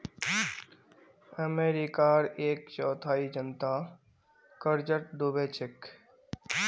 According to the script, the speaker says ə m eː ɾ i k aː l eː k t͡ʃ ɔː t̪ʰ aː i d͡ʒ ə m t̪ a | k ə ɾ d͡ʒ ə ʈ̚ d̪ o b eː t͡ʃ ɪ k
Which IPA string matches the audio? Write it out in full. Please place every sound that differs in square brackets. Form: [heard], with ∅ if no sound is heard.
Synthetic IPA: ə m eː ɾ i k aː [ɾ] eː k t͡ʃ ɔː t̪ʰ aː i d͡ʒ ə [n] t̪ a | k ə ɾ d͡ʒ ə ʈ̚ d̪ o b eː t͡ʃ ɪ k